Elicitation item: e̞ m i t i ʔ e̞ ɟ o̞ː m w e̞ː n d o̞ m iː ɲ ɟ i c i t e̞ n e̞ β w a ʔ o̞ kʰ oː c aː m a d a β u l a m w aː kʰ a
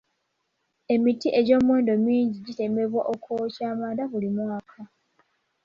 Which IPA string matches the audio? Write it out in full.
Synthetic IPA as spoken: e̞ m i t i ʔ e̞ ɟ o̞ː m w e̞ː n d o̞ m iː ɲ ɟ i ɟ i t e̞ m e̞ β w a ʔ o̞ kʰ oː c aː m a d a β u l i m w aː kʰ a